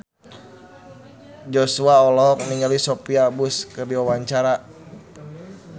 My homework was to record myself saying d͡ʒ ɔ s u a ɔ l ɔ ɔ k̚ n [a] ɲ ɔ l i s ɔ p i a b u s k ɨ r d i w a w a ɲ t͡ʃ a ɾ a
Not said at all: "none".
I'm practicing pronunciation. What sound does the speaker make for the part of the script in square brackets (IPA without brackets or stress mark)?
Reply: i